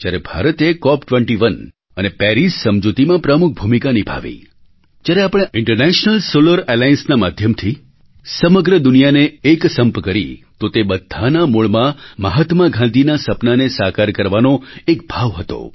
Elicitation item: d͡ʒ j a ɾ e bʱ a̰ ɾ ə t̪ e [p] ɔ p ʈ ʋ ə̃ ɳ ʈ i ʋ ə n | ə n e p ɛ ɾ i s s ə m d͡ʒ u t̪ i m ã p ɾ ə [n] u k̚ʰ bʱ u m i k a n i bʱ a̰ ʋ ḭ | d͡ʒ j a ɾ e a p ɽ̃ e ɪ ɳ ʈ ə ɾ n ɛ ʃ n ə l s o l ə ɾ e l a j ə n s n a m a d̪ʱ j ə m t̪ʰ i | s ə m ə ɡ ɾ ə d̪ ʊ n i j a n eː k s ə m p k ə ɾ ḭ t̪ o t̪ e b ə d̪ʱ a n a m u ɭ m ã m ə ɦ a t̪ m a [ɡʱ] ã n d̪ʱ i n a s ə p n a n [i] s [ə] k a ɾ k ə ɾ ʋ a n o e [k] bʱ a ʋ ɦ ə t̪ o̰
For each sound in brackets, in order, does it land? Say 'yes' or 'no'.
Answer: no, no, yes, no, no, yes

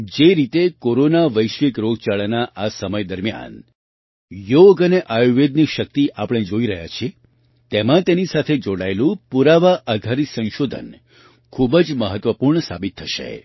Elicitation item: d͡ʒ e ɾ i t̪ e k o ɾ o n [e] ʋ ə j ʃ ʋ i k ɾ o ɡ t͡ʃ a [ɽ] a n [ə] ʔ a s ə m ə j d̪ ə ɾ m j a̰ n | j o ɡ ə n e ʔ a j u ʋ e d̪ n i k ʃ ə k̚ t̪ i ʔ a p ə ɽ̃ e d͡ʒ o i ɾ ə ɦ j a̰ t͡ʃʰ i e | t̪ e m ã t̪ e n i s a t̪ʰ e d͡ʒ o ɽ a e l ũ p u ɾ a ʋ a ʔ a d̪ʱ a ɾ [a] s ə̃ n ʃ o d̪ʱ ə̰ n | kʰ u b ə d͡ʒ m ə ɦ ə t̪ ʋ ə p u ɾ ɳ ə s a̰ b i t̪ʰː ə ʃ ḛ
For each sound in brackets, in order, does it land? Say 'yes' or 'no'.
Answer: no, no, no, no

